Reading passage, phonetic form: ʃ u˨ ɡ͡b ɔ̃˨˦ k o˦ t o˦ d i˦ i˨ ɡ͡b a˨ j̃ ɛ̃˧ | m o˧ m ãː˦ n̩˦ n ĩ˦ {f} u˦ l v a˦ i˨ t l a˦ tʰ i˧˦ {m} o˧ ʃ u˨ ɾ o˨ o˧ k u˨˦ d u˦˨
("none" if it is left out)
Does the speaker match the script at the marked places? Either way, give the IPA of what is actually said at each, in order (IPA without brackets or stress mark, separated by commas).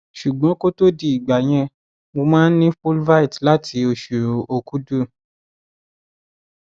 f, none